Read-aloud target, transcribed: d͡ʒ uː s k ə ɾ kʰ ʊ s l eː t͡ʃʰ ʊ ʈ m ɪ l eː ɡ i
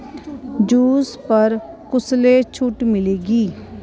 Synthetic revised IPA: d͡ʒ uː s p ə ɾ k ʊ s l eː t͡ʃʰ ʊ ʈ m ɪ l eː ɡ iː